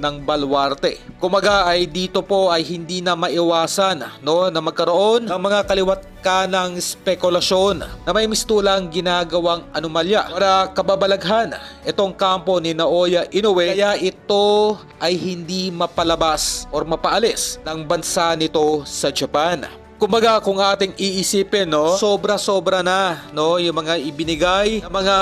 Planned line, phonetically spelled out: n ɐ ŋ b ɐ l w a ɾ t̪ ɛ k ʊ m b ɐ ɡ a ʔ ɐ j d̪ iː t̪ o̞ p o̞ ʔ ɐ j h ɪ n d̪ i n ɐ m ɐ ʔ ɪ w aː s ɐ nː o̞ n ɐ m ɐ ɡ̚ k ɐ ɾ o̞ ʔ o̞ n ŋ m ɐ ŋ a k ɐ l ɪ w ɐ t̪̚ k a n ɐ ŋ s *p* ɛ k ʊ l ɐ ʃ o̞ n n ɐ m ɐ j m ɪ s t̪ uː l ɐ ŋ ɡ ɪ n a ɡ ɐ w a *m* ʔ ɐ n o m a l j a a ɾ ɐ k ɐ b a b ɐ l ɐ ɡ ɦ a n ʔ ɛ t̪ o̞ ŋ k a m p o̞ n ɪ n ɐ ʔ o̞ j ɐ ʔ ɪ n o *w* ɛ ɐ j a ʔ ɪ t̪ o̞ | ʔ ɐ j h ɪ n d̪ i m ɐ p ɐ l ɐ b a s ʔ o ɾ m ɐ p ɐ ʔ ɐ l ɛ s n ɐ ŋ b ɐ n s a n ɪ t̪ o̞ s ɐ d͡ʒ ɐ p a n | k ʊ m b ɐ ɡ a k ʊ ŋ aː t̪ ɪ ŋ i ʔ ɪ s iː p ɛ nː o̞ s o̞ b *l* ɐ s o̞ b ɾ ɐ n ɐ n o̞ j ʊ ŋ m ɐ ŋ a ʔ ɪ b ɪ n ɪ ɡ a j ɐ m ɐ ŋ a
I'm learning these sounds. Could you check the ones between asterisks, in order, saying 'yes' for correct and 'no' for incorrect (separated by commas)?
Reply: yes, no, yes, no